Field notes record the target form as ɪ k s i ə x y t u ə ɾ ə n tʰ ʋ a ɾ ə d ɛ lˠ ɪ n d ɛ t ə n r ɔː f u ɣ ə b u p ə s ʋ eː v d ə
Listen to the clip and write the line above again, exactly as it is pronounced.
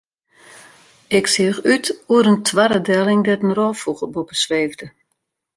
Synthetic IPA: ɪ k s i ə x y t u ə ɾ ə n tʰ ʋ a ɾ ə d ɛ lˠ ɪ ŋ d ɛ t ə n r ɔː f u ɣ ə b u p ə s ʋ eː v d ə